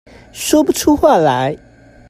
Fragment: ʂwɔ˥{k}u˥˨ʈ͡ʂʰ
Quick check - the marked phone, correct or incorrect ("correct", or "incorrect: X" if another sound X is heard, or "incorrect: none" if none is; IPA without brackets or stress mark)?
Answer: incorrect: p